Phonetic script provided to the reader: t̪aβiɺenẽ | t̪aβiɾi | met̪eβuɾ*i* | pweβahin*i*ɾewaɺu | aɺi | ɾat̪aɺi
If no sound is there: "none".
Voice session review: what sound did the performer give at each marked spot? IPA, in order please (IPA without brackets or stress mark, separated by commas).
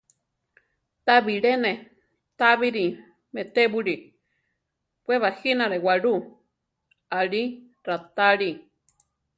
i, a